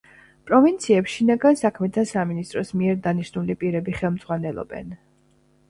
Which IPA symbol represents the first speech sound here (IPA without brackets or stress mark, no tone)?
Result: pʼ